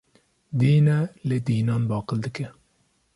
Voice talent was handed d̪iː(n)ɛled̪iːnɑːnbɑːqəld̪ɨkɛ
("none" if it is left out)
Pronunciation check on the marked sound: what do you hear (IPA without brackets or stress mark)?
n